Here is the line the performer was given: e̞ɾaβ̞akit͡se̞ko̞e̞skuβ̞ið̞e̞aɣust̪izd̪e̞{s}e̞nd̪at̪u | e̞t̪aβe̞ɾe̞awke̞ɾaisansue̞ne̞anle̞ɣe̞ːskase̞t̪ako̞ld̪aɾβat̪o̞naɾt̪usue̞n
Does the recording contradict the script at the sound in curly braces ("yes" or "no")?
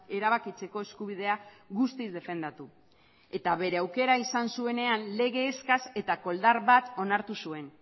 yes